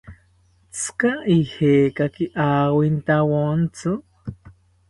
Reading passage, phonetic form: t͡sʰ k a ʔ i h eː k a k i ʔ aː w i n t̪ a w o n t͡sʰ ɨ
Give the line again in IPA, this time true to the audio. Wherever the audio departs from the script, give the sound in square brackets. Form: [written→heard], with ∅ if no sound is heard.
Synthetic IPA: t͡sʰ k a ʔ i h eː k a k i ʔ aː w i n t̪ a w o n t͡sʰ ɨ